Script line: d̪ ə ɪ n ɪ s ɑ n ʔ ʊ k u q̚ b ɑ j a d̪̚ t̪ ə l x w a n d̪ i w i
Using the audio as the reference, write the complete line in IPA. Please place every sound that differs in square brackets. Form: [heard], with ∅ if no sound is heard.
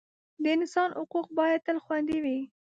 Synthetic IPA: d̪ ə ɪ n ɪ s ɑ n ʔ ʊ [q] u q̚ b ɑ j a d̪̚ t̪ ə l x w a n d̪ i w i